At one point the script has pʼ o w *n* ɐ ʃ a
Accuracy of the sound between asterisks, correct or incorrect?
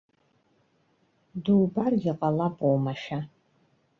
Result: incorrect